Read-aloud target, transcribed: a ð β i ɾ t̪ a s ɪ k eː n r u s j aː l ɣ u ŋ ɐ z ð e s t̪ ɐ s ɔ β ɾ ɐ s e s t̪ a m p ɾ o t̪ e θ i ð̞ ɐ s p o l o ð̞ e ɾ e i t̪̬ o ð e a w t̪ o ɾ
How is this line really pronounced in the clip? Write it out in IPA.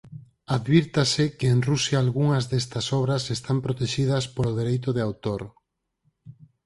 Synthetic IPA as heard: a ð β i ɾ t̪ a s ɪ k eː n r u s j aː l ɣ u ŋ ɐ z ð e s t̪ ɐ s ɔ β ɾ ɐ s e s t̪ a m p ɾ o t̪ e ʃ i ð̞ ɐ s p o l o ð̞ e ɾ e j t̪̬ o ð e a w t̪ o ɾ